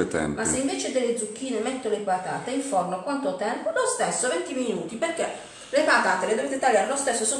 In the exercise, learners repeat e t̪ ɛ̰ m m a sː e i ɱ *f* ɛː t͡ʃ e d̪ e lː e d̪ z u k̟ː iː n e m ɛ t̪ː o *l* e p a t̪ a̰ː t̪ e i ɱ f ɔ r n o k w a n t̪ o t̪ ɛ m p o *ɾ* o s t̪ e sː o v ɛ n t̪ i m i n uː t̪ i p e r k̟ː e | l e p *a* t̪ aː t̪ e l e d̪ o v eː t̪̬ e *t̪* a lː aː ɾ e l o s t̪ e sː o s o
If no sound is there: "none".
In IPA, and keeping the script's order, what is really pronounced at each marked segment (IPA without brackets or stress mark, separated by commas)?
v, l, l, a, t̪